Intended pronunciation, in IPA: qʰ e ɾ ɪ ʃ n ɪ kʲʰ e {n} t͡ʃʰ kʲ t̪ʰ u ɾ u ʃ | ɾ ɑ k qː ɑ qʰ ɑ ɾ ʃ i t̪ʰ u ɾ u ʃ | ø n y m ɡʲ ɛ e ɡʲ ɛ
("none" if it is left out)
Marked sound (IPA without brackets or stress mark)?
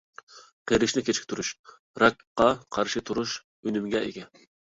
none